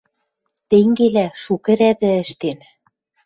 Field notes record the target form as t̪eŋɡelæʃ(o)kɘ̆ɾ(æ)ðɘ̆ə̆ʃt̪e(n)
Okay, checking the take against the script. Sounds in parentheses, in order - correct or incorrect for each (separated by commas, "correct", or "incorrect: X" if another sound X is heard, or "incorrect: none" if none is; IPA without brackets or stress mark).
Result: incorrect: u, correct, correct